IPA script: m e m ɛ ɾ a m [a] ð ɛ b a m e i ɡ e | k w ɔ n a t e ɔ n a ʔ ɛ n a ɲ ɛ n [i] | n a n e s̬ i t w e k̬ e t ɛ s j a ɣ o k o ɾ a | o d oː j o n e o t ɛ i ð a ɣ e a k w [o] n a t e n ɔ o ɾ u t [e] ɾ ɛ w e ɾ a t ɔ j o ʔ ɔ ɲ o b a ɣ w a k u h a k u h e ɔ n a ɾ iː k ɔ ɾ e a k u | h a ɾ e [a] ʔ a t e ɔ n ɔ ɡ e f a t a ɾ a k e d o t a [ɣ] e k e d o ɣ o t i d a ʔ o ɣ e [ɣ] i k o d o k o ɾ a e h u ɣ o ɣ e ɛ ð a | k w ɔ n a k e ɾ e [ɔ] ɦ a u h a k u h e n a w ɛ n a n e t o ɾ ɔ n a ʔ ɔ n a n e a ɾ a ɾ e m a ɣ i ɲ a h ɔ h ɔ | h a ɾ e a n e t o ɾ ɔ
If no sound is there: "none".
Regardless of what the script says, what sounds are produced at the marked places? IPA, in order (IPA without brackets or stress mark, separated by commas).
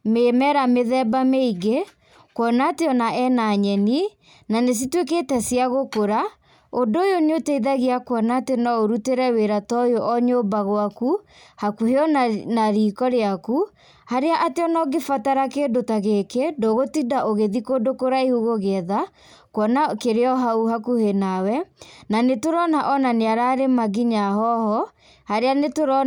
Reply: e, i, ɔ, e, a, ɣ, ð, ɔ